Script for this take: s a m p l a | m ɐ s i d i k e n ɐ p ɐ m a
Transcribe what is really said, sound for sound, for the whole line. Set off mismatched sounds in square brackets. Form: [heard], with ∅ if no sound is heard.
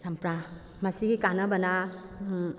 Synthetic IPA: s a m p [ɾ] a | m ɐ s i [ɡ] i k [a] n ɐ [b] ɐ [n] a